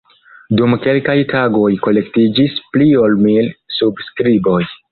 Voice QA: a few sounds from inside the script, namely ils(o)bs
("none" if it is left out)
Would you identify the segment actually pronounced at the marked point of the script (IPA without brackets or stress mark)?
u